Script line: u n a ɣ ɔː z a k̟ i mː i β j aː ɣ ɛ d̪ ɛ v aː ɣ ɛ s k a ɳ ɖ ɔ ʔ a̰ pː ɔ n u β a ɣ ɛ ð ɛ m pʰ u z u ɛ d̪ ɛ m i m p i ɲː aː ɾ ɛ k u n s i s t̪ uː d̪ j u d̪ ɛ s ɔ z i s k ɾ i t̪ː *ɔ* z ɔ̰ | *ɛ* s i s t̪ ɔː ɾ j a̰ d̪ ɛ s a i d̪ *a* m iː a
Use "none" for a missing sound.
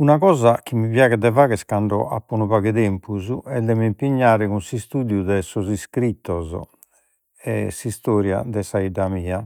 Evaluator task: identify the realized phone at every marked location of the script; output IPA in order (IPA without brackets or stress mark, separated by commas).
ɔ, ɛ, a